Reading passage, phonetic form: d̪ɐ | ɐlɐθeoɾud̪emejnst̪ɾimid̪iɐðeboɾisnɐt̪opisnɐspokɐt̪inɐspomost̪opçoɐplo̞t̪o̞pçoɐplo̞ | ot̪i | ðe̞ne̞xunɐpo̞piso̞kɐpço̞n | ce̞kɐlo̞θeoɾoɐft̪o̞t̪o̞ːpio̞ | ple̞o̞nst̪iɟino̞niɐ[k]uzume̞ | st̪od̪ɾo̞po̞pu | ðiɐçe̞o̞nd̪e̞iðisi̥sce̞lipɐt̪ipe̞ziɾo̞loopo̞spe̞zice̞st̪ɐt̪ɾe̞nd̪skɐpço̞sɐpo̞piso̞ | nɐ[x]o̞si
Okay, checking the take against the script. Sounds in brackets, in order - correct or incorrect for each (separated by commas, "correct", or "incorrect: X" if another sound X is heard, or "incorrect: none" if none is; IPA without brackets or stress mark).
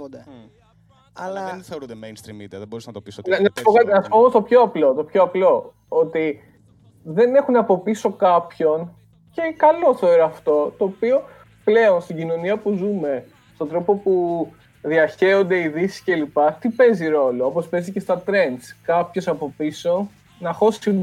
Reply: incorrect: p, correct